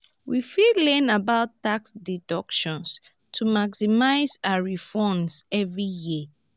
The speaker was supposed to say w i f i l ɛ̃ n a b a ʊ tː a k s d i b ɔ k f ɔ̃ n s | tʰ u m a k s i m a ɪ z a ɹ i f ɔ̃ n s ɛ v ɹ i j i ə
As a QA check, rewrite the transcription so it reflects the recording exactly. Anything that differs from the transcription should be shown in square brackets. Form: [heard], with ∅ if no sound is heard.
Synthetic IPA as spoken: w i f i l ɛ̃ n a b a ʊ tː a k s d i [d] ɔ k [ʃ] ɔ̃ n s | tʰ u m a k s i m a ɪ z a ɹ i f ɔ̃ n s ɛ v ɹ i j i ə